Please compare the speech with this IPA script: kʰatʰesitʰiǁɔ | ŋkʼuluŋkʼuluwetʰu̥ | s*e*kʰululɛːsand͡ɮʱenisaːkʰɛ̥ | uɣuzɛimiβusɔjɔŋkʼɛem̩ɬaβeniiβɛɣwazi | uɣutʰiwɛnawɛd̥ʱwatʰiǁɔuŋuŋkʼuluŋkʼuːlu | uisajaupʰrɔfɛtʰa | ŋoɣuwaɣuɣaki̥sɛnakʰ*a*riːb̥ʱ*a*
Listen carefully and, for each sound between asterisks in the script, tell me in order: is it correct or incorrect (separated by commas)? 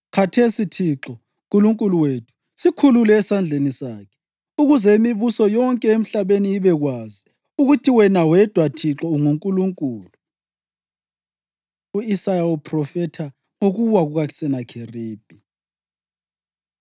incorrect, incorrect, incorrect